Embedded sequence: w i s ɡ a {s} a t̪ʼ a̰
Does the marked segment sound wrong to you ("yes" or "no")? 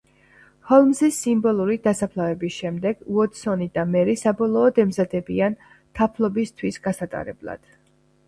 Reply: no